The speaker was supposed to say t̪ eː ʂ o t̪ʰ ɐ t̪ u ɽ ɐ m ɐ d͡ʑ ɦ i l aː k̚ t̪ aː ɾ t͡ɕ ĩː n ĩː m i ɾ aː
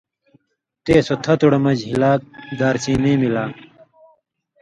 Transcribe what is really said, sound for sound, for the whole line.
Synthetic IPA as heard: t̪ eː s o t̪ʰ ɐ t̪ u ɽ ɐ m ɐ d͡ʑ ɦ i l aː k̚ d̪ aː ɾ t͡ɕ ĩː n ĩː m i l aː